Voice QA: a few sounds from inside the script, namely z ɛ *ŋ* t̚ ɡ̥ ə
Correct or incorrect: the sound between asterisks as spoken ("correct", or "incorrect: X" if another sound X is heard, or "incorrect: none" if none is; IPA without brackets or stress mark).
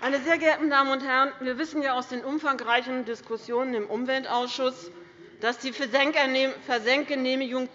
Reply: correct